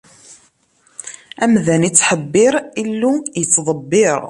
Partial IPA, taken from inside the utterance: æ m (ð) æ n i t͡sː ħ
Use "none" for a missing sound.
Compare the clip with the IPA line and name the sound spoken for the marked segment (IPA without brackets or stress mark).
ð